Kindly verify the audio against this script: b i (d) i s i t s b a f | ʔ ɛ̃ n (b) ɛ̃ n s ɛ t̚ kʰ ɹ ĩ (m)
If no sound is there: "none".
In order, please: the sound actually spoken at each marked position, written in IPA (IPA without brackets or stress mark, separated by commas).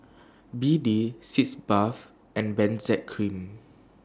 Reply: d, b, m